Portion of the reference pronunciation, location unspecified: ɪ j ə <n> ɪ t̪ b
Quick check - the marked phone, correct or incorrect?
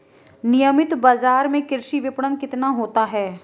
incorrect